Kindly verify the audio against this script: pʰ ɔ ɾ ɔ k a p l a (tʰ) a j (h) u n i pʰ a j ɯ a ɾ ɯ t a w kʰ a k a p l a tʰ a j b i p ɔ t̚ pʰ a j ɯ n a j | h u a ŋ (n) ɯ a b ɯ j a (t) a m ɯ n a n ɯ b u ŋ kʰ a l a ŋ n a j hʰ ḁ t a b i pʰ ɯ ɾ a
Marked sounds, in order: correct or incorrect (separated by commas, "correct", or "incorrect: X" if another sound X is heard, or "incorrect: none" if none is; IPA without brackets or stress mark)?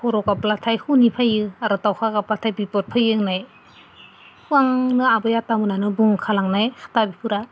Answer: correct, correct, correct, correct